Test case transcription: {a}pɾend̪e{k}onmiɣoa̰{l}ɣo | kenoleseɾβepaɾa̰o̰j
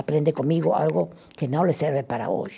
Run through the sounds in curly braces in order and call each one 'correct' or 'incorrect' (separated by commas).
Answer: correct, correct, correct